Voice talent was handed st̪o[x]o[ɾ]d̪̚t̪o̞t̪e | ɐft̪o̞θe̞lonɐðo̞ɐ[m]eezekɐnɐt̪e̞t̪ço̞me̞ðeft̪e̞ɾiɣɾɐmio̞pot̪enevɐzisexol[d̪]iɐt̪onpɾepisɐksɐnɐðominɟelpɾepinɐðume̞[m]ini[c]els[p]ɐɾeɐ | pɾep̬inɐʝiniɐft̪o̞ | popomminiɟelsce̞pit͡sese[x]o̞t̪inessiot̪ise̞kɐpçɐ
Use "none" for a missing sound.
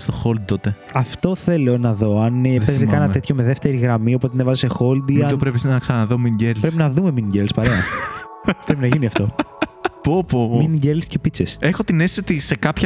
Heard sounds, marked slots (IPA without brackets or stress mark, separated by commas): x, l, n, d̪, m, ɟ, p, x